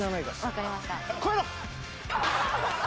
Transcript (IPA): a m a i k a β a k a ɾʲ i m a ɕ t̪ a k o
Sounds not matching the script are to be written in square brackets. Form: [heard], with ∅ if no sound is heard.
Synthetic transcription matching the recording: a [n] a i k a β a k a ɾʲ i m a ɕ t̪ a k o